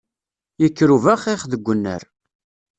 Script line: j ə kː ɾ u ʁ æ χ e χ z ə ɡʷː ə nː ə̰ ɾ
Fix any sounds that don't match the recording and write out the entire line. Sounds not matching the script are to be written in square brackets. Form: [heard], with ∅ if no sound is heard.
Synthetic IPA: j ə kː ɾ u [v] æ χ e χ [ð] ə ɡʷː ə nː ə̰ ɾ